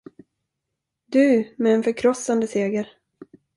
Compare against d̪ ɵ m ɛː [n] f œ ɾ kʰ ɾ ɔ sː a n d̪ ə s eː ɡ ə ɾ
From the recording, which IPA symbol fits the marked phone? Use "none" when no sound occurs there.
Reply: n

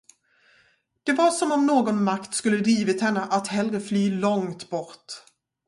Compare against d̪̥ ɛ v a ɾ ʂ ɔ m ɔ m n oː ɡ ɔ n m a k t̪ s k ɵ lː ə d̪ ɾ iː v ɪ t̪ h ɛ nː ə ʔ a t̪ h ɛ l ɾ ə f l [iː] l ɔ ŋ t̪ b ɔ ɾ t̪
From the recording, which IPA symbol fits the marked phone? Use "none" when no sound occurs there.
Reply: yː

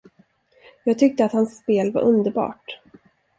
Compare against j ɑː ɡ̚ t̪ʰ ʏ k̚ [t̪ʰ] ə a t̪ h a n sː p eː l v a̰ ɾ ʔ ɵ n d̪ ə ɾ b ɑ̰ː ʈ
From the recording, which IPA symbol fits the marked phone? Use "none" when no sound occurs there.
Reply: t̪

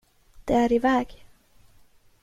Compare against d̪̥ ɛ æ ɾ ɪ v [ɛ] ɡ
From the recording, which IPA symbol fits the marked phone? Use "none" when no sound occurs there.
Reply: ɛː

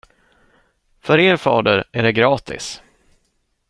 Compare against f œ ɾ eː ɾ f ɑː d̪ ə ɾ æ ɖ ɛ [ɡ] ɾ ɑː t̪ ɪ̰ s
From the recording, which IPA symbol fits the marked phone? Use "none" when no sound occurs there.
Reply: ɡ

